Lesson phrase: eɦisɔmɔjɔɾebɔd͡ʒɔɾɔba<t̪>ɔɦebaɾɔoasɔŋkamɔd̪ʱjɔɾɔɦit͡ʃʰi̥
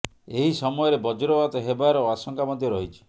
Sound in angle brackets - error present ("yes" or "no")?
no